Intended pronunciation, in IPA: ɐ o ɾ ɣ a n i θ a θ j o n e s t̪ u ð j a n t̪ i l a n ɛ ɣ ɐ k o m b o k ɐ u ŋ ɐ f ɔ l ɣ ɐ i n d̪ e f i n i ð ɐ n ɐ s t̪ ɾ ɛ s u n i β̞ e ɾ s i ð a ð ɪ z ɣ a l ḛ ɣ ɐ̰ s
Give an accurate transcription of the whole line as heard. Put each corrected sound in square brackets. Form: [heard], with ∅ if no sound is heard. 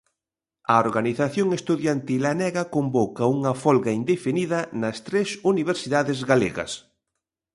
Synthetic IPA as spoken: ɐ o ɾ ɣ a n i θ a θ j o [ŋ] e s t̪ u ð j a n t̪ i l a n ɛ ɣ ɐ k o m b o k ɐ u ŋ ɐ f ɔ l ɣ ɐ i n d̪ e f i n i ð ɐ n ɐ s t̪ ɾ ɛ s u n i β̞ e ɾ s i ð a ð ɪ z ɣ a l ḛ ɣ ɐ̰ s